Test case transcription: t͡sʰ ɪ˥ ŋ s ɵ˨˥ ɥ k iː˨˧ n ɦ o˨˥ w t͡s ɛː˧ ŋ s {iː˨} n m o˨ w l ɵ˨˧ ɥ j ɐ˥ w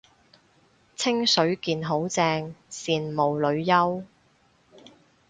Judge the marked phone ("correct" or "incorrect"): correct